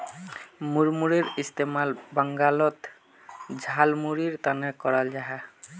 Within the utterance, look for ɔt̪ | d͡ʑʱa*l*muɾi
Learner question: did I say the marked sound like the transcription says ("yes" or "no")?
yes